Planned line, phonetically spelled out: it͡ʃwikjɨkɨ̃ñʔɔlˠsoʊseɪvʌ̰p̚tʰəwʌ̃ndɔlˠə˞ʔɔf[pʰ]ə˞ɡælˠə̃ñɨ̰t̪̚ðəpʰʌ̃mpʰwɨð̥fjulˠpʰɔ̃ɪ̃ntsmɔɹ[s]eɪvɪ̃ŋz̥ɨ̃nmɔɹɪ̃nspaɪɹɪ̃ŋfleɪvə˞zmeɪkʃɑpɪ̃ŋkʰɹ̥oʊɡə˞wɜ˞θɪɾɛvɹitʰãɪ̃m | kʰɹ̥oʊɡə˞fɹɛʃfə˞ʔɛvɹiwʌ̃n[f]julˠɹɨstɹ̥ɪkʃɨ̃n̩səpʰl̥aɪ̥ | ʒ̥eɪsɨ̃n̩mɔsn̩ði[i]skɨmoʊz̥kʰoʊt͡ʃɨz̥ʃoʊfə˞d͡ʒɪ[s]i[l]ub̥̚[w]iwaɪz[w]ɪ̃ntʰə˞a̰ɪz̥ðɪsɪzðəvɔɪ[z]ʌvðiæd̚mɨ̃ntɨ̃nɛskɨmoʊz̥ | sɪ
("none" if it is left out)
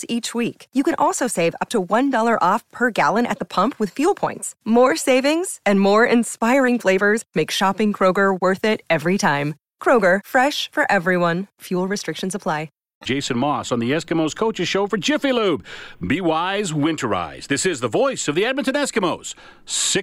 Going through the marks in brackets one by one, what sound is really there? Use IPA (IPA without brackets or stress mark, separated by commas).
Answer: pʰ, s, f, ɛ, f, l, b, w, s